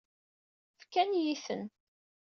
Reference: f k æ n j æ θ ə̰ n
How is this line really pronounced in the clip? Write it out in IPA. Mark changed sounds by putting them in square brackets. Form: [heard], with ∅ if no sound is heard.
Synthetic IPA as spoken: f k æ n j [i] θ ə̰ n